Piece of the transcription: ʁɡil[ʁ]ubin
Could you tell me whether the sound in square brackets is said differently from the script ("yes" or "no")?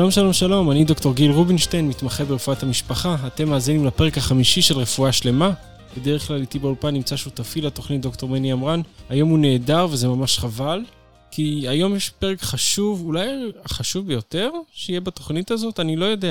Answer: no